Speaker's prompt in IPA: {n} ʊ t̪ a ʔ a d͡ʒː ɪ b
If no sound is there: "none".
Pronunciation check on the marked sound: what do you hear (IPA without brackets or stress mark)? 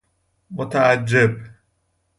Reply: m